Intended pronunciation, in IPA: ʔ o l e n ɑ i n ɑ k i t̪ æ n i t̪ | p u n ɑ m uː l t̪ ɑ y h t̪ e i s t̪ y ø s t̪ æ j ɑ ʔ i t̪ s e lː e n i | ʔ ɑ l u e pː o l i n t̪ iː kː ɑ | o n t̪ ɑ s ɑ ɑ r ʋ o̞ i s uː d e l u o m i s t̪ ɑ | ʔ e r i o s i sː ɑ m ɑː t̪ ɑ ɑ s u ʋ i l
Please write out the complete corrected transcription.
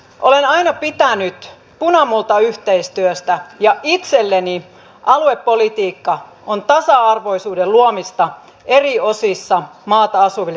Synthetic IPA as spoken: ʔ o l e n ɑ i n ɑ p i t̪ æ n y t̪ | p u n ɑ m u l t̪ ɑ y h t̪ e i s t̪ y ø s t̪ æ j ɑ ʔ i t̪ s e lː e n i | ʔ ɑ l u e pː o l i t̪ iː kː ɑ | o n t̪ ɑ s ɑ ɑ r ʋ o̞ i s uː d e l u o m i s t̪ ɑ | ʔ e r i o s i sː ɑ m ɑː t̪ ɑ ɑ s u ʋ i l